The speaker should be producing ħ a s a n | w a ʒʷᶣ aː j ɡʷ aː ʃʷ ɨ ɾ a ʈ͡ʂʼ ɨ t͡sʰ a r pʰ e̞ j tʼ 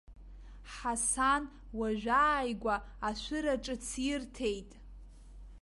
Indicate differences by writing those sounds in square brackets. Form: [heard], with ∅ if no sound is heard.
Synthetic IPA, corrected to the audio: ħ a s a n | w a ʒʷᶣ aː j ɡʷ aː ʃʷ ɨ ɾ a ʈ͡ʂʼ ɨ t͡sʰ [i] r [tʰ] e̞ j tʼ